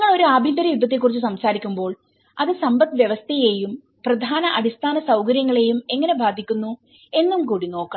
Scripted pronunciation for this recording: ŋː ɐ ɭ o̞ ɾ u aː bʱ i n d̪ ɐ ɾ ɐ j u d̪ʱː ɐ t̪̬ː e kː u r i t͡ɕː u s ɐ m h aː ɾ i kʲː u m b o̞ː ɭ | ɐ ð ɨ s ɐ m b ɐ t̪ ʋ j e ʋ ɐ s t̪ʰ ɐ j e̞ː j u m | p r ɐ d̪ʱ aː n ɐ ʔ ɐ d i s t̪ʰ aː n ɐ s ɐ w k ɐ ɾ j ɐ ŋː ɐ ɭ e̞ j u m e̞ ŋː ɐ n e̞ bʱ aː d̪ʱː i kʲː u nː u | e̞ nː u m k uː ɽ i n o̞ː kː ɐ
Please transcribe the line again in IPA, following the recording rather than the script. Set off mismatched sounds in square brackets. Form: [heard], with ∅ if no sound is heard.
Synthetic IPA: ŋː ɐ ɭ o̞ ɾ u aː bʱ i n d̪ ɐ ɾ ɐ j u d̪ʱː ɐ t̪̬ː e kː u r i t͡ɕː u s ɐ m [s] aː ɾ i kʲː u m b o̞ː ɭ | ɐ ð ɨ s ɐ m b ɐ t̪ ʋ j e ʋ ɐ s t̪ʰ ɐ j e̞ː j u m | p r ɐ d̪ʱ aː n ɐ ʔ ɐ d i s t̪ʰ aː n ɐ s ɐ w k ɐ ɾ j ɐ ŋː ɐ ɭ e̞ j u m e̞ ŋː ɐ n e̞ bʱ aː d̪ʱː i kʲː u nː u | e̞ nː u m k uː ɽ i n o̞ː kː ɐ